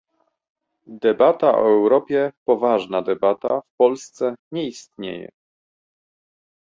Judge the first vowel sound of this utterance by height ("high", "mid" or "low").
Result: mid